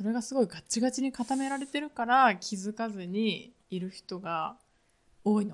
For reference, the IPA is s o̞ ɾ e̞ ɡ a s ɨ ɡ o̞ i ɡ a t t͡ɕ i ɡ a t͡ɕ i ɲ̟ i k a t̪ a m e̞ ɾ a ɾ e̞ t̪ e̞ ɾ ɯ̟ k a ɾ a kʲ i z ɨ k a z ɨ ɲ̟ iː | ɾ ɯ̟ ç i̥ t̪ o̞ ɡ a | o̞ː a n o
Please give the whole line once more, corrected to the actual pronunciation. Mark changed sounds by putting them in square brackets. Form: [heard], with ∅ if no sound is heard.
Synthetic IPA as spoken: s o̞ ɾ e̞ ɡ a s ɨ ɡ o̞ i ɡ a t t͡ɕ i ɡ a t͡ɕ i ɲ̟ i k a t̪ a m e̞ ɾ a ɾ e̞ t̪ e̞ ɾ ɯ̟ k a ɾ a kʲ i z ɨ k a z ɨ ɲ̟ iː | ɾ ɯ̟ ç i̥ t̪ o̞ ɡ a | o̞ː [i] n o